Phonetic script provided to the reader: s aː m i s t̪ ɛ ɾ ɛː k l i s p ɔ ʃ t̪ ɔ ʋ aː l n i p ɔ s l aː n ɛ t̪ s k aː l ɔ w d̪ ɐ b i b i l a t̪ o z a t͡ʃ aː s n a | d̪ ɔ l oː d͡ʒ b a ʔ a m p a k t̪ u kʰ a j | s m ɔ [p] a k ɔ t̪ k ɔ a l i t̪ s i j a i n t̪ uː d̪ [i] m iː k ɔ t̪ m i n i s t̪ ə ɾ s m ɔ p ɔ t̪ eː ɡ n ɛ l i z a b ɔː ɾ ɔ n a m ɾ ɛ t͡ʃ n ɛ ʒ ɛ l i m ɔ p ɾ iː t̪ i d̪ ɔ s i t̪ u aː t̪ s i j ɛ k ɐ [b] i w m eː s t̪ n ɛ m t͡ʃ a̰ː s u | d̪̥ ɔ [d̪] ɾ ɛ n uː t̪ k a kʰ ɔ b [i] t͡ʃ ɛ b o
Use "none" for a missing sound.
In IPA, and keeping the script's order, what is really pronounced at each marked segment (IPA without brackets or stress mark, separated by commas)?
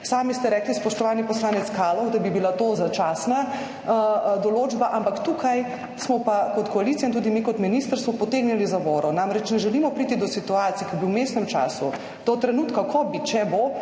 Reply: p, i, b, t̪, i